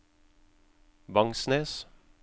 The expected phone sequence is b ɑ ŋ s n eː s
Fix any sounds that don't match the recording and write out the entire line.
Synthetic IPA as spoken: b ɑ ŋ s n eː s